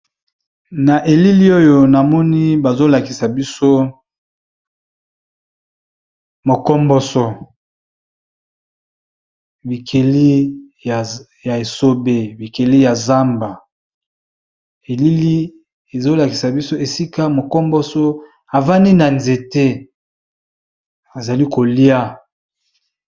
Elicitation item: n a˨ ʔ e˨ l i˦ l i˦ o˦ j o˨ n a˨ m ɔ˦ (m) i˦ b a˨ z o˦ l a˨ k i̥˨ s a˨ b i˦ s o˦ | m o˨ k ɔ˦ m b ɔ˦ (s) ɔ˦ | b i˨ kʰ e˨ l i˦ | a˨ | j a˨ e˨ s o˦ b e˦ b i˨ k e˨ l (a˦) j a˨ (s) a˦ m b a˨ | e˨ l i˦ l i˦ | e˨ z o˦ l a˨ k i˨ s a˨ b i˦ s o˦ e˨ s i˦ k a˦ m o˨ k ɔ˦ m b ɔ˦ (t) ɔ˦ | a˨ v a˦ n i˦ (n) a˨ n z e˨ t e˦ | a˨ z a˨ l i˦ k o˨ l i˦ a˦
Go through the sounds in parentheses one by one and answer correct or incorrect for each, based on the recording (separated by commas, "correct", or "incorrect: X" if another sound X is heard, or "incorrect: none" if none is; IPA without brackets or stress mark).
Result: incorrect: n, correct, incorrect: i˦, incorrect: z, incorrect: s, correct